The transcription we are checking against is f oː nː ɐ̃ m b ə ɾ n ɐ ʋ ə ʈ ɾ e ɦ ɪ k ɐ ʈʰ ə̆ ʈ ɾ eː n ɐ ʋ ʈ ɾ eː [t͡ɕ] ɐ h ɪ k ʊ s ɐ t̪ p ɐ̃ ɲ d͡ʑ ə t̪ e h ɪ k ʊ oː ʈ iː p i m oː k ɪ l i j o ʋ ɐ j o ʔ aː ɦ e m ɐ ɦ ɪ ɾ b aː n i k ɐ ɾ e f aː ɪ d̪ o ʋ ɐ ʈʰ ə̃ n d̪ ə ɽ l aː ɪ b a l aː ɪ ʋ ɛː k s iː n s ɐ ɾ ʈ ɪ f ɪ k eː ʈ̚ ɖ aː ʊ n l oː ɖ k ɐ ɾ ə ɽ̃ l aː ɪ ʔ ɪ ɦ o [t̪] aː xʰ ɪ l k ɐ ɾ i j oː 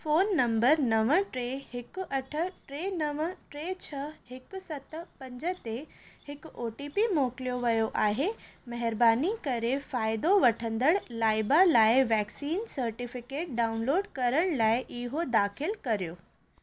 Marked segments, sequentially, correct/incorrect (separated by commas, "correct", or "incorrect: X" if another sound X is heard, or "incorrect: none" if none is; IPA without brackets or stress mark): incorrect: t͡ɕʰ, incorrect: d̪